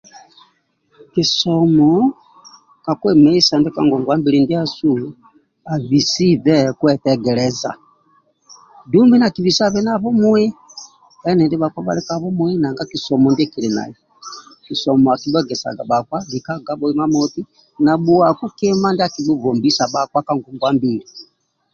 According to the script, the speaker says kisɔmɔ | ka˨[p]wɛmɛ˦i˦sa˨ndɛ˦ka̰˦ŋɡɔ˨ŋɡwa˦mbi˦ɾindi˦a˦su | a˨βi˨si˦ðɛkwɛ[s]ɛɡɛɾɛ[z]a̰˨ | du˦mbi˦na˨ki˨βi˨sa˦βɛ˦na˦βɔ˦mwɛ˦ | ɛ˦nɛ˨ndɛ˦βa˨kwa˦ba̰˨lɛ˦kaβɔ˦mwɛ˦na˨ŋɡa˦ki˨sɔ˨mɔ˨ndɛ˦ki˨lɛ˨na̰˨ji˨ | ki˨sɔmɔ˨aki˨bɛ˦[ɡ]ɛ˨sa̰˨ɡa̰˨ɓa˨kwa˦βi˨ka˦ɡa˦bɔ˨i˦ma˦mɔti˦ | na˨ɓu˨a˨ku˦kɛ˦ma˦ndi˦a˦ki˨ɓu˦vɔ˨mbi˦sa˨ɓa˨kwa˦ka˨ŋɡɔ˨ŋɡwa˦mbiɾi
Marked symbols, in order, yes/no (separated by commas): no, no, yes, yes